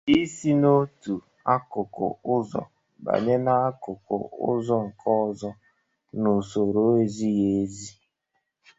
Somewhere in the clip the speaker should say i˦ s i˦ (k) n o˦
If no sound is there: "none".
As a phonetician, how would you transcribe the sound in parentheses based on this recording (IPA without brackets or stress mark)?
none